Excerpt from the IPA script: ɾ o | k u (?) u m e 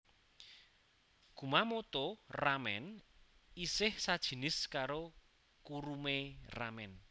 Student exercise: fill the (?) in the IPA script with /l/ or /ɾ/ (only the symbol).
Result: ɾ